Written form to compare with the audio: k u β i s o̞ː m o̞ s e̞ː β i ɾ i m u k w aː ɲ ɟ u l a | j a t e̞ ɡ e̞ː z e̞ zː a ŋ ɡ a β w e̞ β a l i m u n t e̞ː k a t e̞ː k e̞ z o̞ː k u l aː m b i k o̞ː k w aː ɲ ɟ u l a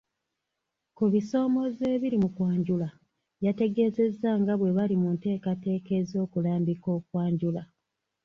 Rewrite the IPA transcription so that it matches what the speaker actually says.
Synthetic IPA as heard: k u β i s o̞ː m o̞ z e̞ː β i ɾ i m u k w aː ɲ ɟ u l a | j a t e̞ ɡ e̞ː z e̞ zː a ŋ ɡ a β w e̞ β a l i m u n t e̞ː k a t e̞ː k e̞ z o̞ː k u l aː m b i k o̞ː k w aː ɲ ɟ u l a